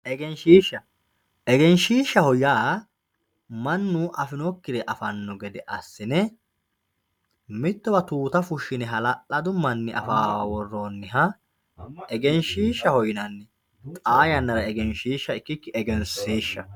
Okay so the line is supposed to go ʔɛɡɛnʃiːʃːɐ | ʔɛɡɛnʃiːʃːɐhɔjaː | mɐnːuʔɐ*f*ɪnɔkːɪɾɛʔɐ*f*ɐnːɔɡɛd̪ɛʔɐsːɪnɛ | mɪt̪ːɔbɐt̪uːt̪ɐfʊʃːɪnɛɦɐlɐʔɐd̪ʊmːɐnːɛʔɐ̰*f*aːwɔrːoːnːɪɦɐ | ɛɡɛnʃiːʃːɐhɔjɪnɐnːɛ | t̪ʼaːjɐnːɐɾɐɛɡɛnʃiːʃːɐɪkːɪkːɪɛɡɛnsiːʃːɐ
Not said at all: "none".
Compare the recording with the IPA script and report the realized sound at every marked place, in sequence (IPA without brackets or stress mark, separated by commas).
f, f, f